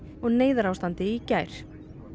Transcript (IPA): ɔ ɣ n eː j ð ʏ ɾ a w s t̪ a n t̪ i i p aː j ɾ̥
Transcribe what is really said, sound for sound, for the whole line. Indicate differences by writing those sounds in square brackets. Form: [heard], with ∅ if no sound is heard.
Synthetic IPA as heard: ɔ ɣ n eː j ð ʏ ɾ a w s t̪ a n t̪ [ɪ] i [c] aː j ɾ̥